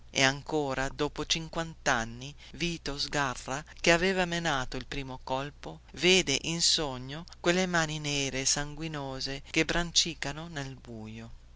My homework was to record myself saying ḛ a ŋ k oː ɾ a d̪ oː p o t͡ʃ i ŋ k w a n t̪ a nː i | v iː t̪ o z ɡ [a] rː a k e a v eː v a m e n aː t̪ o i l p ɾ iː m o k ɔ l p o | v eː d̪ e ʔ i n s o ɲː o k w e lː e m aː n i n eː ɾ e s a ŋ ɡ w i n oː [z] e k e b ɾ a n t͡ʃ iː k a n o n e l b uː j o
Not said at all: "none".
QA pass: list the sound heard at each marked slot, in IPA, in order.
a, z

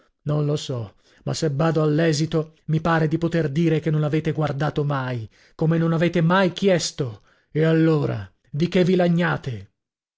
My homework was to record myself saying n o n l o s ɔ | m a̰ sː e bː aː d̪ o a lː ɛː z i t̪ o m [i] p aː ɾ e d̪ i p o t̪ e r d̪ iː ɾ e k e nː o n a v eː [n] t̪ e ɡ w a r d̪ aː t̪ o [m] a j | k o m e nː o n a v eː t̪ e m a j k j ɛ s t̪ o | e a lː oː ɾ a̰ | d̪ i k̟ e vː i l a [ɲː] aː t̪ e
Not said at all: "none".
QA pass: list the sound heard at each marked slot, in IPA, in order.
i, none, m, ɲː

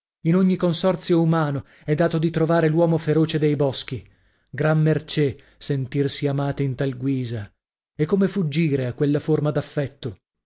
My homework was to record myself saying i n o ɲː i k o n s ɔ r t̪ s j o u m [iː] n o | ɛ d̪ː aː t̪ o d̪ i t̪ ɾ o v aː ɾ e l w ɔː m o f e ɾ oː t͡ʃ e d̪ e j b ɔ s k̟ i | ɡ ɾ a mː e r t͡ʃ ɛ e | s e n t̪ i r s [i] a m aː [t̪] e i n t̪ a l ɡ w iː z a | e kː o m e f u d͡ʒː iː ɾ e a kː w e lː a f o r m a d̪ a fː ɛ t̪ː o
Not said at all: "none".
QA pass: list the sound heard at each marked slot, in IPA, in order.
aː, i, t̪

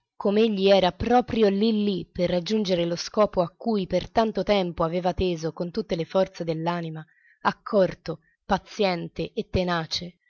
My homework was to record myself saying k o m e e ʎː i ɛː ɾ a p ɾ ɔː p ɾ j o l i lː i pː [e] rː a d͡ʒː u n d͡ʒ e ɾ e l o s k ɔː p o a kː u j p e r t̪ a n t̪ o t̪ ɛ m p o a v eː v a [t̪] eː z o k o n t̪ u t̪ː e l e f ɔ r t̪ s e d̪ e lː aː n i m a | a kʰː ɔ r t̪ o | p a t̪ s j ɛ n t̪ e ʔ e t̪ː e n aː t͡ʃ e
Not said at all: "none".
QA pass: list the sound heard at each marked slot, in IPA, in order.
e, t̪

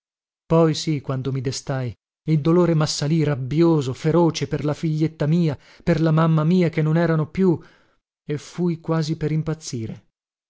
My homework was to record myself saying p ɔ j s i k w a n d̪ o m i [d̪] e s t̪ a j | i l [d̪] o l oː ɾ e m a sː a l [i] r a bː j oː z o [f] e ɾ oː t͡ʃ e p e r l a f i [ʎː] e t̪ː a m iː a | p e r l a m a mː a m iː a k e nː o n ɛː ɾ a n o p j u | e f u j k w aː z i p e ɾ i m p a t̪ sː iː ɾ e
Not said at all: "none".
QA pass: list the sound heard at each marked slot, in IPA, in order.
d̪, d̪, i, f, ʎː

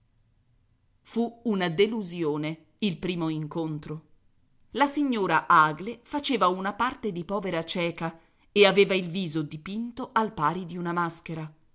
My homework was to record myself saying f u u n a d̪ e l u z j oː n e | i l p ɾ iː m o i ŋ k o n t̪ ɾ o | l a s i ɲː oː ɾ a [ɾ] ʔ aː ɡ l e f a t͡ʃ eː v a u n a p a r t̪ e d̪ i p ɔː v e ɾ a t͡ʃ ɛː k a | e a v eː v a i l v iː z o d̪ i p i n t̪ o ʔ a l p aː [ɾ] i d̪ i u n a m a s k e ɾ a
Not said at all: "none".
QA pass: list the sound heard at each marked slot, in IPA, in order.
none, ɾ

